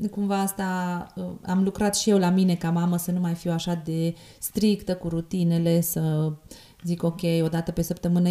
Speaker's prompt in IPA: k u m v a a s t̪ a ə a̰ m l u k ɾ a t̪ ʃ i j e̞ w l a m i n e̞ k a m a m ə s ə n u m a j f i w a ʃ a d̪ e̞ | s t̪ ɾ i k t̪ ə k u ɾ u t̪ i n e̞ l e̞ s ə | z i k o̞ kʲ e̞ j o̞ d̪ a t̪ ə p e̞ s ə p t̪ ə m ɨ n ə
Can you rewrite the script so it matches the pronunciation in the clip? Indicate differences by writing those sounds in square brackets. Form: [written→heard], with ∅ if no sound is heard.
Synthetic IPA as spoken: k u m v a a s t̪ a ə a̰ m l u k ɾ a t̪ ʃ i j e̞ w l a m i n e̞ k a m a m ə s ə n u m a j f i w a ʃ a d̪ e̞ | s t̪ ɾ i k t̪ ə k u ɾ u t̪ i n e̞ l e̞ s ə | z i k o̞ kʲ e̞ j o̞ d̪ a t̪ ə p e̞ s ə p t̪ ə m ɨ n ə